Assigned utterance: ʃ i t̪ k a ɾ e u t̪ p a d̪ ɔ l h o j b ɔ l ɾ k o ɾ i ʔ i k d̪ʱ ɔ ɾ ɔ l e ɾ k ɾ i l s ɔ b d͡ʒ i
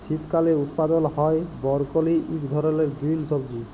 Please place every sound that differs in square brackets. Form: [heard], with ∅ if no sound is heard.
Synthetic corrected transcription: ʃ i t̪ k a [l] e u t̪ p a d̪ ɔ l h [ɔ] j b ɔ [∅] ɾ k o [l] i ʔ i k d̪ʱ ɔ ɾ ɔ l e ɾ [ɡ] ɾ i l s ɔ b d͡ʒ i